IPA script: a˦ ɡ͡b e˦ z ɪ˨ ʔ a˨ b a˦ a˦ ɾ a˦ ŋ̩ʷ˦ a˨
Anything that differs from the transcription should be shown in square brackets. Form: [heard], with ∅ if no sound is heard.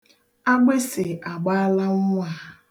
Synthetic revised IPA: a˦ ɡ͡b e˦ [s] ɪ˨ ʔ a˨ [ɡ͡b] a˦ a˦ [l] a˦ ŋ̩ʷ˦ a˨